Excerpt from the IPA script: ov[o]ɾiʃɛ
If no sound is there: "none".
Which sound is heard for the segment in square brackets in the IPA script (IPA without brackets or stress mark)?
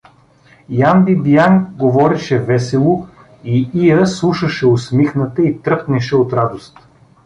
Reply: ɔ